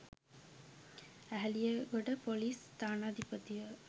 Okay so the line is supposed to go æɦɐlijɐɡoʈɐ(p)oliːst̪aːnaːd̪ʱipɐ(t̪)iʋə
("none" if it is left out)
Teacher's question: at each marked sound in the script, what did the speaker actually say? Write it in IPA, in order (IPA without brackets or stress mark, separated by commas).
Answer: p, t̪